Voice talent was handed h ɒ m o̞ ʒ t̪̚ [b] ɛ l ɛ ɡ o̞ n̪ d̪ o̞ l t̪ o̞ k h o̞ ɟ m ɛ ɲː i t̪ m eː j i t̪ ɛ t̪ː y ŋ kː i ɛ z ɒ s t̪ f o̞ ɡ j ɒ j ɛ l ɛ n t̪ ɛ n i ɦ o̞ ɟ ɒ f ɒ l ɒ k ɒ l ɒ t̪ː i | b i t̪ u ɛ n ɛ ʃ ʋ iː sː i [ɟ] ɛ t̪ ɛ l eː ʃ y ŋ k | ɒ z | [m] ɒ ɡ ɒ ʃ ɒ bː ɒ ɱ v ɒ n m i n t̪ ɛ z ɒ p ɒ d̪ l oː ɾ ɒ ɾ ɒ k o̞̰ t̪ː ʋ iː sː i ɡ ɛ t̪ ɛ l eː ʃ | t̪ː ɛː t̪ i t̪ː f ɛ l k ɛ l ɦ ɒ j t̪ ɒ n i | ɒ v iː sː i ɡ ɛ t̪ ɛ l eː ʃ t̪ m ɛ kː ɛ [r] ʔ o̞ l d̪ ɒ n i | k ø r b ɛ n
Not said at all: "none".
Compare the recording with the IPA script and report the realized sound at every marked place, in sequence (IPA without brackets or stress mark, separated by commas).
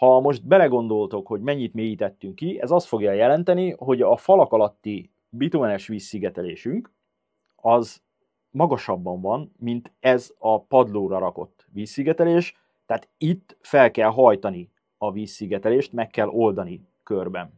b, ɡ, m, l